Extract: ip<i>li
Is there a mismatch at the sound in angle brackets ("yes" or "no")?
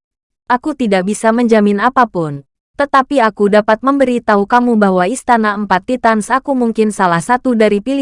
no